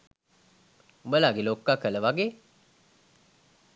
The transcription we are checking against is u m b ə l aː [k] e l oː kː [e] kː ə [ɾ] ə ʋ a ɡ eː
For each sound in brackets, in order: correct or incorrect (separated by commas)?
incorrect, incorrect, incorrect